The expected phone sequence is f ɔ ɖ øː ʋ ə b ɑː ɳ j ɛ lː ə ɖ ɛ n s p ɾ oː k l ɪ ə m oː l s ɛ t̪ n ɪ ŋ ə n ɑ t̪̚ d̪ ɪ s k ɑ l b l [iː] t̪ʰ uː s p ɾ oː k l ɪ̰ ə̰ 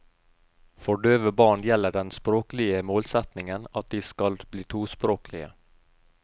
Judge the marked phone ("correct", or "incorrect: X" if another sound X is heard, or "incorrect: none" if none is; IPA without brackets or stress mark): correct